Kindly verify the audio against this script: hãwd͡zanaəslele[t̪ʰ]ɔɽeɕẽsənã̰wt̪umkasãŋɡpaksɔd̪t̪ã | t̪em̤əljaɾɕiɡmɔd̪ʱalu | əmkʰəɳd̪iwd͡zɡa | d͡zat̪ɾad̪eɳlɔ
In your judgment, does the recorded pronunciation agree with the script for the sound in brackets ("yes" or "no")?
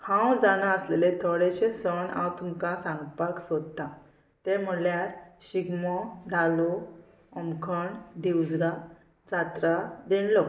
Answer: yes